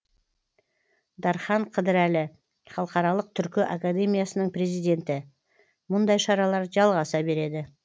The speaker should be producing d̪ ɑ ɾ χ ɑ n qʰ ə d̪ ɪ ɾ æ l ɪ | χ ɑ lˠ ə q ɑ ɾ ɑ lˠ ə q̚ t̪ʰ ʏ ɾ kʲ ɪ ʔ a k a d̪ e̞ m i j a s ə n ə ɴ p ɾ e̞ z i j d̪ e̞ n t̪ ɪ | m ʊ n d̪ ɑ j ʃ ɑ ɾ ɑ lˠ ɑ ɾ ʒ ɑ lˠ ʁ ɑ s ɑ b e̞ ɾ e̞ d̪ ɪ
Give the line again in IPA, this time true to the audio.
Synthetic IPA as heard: d̪ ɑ ɾ χ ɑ ɴ qʰ ə d̪ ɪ ɾ æ l ɪ | χ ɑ lˠ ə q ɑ ɾ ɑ lˠ ə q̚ t̪ʰ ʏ ɾ kʲ ɪ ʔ a k a d̪ e̞ m i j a s ə n ə ɴ p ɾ e̞ z i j d̪ e̞ n t̪ ɪ | m ʊ n d̪ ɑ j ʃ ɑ ɾ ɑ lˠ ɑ ɾ ʒ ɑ lˠ ʁ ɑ s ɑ b e̞ ɾ e̞ d̪ ɪ